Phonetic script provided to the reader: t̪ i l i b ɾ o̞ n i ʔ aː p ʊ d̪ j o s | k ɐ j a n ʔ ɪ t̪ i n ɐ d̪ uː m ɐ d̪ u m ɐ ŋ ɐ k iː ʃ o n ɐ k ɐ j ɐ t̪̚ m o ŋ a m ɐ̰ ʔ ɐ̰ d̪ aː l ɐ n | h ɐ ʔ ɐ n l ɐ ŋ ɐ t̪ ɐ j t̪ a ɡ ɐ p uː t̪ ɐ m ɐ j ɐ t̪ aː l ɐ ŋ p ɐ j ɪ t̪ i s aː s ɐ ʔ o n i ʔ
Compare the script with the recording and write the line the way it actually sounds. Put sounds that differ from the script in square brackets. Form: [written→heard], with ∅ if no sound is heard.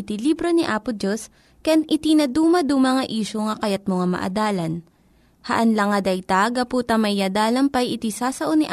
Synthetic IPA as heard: t̪ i l i b ɾ o̞ n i ʔ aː p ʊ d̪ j o s | k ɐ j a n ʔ ɪ t̪ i n ɐ d̪ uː m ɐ d̪ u m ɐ ŋ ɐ [k→ʔ] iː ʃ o [n→ŋ] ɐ k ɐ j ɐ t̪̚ m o ŋ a m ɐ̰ ʔ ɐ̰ d̪ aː l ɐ n | h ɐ ʔ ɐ n l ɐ ŋ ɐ [t̪→d̪] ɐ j t̪ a ɡ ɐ p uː t̪ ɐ m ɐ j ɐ [t̪→d̪] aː l ɐ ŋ p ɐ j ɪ t̪ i s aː s ɐ ʔ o n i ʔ